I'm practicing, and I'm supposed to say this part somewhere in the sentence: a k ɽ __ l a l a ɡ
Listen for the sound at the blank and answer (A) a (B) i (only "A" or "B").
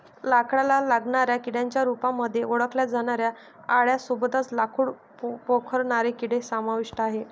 A